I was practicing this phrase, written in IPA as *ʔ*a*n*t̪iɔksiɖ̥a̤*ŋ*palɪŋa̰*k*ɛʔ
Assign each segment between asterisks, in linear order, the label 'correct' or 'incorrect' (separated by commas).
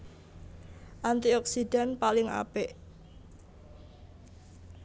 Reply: correct, correct, incorrect, incorrect